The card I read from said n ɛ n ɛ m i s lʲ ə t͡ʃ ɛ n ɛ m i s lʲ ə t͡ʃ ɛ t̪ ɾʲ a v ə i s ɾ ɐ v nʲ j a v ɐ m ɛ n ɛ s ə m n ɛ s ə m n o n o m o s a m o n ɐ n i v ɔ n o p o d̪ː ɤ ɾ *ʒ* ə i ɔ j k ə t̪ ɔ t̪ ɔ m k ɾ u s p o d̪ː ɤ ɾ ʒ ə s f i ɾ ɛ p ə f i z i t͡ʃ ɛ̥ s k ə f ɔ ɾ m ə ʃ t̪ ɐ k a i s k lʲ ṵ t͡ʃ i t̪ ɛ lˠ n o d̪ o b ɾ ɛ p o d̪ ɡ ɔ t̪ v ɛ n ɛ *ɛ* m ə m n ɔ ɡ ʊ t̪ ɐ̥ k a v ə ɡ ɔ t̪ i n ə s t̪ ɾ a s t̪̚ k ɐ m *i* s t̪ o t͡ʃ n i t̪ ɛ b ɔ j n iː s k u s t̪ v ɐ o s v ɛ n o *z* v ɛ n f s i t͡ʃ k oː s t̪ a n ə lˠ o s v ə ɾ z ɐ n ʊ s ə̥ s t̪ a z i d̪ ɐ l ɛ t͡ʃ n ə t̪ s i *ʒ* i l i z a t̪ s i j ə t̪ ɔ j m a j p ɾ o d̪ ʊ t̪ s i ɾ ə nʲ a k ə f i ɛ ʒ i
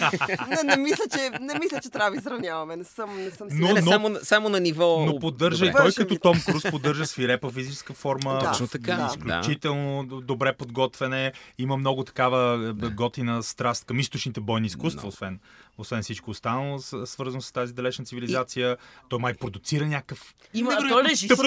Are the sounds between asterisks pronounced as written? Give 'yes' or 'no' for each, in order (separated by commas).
yes, no, yes, no, no